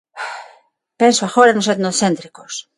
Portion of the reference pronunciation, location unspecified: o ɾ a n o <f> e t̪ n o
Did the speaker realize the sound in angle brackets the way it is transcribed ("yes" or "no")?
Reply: no